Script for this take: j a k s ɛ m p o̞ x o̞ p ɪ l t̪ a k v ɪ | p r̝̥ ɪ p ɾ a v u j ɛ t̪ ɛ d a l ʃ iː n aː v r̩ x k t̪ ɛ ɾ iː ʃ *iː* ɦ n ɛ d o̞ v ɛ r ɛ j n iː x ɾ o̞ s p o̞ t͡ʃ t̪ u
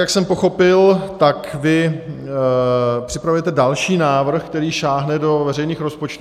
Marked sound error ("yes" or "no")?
yes